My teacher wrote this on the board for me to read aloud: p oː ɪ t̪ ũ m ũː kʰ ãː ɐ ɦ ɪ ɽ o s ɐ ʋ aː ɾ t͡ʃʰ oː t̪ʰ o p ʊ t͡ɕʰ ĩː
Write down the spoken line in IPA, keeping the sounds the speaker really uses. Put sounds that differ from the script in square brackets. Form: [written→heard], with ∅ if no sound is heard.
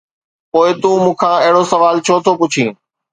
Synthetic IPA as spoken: p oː ɪ t̪ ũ m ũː kʰ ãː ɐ ɦ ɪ ɽ o s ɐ ʋ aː [ɾ→l] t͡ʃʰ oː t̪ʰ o p ʊ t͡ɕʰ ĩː